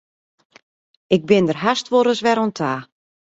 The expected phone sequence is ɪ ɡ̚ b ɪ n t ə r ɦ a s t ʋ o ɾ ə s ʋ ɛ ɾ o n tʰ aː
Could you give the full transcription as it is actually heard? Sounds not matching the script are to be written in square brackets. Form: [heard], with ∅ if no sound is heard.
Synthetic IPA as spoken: ɪ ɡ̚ b ɪ n [d] ə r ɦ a s t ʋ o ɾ ə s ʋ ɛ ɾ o n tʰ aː